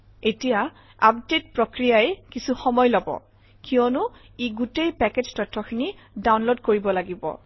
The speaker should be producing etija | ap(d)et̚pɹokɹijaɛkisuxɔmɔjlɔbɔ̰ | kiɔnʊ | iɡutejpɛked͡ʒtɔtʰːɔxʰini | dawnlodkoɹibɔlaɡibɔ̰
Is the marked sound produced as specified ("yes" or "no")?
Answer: yes